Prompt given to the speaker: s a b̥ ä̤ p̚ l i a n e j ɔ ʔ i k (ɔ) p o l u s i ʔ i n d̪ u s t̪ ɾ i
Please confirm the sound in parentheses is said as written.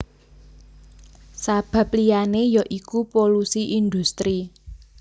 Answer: no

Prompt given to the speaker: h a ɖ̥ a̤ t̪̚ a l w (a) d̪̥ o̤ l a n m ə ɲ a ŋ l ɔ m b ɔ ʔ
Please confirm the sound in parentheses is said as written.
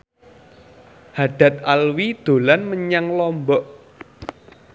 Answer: no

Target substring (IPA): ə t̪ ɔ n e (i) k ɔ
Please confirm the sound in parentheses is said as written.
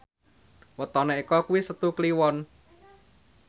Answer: yes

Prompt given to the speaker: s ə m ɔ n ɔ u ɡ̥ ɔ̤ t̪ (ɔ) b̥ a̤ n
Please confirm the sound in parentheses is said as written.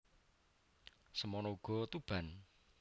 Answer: no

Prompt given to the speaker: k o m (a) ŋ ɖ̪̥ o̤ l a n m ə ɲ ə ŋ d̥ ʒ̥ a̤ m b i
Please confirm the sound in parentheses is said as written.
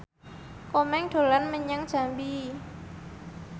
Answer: no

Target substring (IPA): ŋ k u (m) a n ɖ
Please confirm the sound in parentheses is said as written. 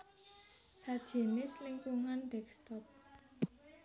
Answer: no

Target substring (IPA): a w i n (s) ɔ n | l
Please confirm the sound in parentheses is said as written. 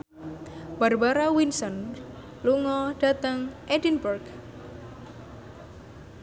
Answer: yes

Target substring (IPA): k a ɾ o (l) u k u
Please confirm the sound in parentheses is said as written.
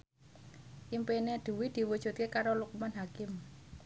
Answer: yes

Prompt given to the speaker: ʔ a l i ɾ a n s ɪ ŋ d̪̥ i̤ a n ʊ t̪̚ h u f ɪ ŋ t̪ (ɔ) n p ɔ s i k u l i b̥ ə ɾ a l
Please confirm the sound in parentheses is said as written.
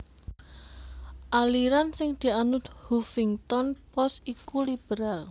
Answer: yes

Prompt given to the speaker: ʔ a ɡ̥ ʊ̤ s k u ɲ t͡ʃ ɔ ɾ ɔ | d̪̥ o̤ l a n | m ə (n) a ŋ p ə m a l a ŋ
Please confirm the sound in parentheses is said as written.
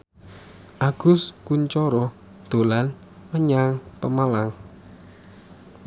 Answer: no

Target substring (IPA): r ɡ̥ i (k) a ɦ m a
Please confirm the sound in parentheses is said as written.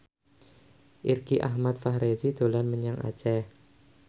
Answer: no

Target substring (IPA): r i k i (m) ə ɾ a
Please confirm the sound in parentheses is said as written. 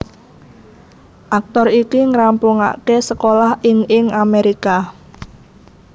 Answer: no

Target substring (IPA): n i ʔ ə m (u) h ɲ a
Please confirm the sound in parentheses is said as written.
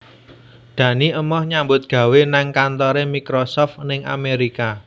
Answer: no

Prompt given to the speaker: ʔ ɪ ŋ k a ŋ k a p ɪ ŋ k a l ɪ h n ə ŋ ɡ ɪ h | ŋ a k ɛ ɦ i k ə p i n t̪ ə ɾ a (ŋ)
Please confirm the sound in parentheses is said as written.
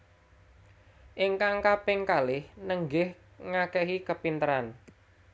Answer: no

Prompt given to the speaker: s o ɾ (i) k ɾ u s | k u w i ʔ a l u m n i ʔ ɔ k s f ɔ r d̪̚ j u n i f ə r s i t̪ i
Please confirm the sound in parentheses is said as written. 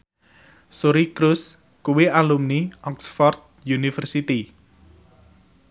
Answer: yes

